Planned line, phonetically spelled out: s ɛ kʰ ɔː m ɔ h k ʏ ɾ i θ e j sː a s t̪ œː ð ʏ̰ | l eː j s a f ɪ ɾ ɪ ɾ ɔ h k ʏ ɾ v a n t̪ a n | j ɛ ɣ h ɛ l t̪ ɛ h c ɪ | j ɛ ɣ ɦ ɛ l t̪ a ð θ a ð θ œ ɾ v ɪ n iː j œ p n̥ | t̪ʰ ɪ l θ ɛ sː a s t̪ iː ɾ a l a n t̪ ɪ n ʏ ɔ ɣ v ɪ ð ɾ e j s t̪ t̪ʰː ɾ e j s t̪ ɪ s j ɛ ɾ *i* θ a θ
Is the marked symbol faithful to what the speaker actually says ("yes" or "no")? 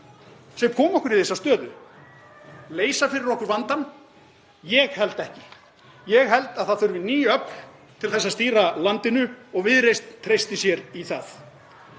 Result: yes